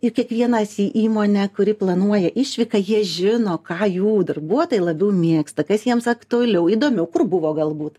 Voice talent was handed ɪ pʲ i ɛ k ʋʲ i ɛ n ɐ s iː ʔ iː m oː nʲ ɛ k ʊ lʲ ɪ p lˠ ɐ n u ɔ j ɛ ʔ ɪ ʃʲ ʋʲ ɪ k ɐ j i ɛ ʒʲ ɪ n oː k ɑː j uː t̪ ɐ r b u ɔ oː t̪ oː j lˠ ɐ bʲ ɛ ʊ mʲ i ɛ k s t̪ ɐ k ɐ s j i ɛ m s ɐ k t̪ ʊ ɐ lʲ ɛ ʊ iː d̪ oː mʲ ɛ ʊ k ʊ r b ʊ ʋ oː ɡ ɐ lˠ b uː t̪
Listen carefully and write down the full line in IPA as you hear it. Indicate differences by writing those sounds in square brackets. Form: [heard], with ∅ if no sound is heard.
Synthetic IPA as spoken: ɪ [kʲ] i ɛ k ʋʲ i ɛ n ɐ s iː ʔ iː m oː nʲ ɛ k ʊ [ɾʲ] ɪ p lˠ ɐ n u ɔ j ɛ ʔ ɪ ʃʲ ʋʲ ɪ k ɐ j i ɛ ʒʲ ɪ n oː k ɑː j uː [d̪] ɐ r b u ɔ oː t̪ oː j lˠ ɐ bʲ ɛ ʊ mʲ i ɛ k s t̪ ɐ k ɐ s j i ɛ m s ɐ k t̪ ʊ ɐ lʲ ɛ ʊ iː d̪ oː mʲ ɛ ʊ k ʊ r b ʊ ʋ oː ɡ ɐ lˠ b uː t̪

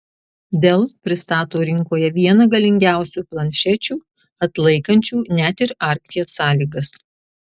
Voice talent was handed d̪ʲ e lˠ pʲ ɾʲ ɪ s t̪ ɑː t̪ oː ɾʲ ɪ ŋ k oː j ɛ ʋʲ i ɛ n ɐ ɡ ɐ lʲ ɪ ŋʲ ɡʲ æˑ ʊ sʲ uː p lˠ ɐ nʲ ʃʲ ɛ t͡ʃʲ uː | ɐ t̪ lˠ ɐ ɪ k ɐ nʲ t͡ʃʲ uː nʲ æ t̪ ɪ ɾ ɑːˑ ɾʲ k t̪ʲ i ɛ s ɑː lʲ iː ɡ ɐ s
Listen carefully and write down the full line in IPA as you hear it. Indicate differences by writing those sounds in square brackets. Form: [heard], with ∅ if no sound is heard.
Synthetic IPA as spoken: d̪ʲ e lˠ pʲ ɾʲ ɪ s t̪ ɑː t̪ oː ɾʲ ɪ ŋ k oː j ɛ ʋʲ i ɛ n ɐ ɡ ɐ lʲ ɪ ŋʲ ɡʲ æˑ ʊ sʲ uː p lˠ ɐ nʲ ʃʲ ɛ t͡ʃʲ uː | ɐ t̪ lˠ ɐ ɪ k ɐ nʲ t͡ʃʲ uː nʲ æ t̪ ɪ ɾ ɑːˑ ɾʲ k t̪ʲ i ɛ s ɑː lʲ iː ɡ ɐ s

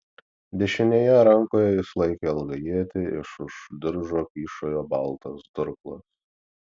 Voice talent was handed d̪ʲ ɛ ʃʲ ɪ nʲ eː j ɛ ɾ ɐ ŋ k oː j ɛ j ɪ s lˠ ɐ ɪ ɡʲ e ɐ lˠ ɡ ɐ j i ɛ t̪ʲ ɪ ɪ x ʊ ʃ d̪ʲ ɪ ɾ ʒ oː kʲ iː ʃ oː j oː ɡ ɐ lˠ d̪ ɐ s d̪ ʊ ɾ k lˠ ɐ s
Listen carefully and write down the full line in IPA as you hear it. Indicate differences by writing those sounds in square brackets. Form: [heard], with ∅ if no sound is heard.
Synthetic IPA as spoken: d̪ʲ ɛ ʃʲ ɪ nʲ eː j ɛ ɾ ɐ ŋ k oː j ɛ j ɪ s lˠ ɐ ɪ [kʲ] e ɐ lˠ ɡ ɐ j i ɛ t̪ʲ ɪ ɪ [ʃ] ʊ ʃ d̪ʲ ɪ ɾ ʒ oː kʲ iː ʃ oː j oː [b] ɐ lˠ [t̪] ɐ s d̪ ʊ ɾ k lˠ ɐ s

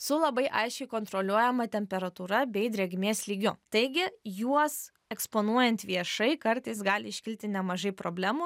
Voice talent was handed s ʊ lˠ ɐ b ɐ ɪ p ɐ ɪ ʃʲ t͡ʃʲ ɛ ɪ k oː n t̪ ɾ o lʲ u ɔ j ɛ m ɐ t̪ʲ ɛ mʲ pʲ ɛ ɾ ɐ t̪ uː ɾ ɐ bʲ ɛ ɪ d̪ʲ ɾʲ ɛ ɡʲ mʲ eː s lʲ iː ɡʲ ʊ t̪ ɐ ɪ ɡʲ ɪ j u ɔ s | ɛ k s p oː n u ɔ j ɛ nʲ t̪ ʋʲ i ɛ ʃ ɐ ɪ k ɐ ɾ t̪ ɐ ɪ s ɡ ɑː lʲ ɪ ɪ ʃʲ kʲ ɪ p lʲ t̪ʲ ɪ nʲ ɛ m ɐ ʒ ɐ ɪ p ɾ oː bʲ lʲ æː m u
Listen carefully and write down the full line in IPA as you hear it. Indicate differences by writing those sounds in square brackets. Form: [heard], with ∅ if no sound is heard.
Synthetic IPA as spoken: s ʊ lˠ ɐ b ɐ ɪ [ʔ] ɐ ɪ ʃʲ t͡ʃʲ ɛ ɪ k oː n t̪ ɾ o lʲ u ɔ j ɛ m ɐ t̪ʲ ɛ mʲ pʲ ɛ ɾ ɐ t̪ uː ɾ ɐ bʲ ɛ ɪ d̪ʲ ɾʲ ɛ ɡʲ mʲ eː s lʲ iː ɡʲ ʊ t̪ ɐ ɪ ɡʲ ɪ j u ɔ s | ɛ k s p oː n u ɔ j ɛ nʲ t̪ ʋʲ i ɛ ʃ ɐ ɪ k ɐ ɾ t̪ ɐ ɪ s ɡ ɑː lʲ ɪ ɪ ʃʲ kʲ ɪ [∅] lʲ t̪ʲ ɪ nʲ ɛ m ɐ ʒ ɐ ɪ p ɾ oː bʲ lʲ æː m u

